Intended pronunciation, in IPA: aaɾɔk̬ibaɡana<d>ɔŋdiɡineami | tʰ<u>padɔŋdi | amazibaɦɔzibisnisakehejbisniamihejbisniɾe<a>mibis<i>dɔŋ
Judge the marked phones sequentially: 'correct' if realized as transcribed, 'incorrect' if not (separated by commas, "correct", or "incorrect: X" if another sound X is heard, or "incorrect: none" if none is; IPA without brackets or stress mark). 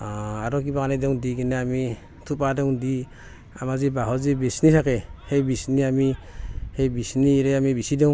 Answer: correct, correct, correct, correct